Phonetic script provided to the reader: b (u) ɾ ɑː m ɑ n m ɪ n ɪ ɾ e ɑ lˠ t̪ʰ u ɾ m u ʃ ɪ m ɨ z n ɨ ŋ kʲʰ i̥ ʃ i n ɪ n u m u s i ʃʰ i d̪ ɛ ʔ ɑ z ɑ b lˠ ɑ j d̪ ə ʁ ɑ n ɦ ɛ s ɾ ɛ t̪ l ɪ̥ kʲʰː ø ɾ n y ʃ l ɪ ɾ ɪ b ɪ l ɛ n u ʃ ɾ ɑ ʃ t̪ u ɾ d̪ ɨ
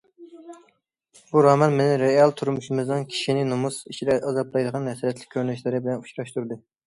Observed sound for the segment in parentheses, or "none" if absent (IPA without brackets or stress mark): u